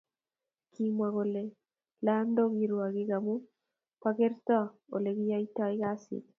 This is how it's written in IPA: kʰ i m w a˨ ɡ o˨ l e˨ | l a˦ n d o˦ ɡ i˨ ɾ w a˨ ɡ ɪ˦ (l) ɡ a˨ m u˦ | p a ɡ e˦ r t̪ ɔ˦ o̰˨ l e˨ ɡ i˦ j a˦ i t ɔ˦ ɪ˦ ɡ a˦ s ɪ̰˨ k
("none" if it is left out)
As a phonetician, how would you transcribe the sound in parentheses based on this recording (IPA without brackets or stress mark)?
none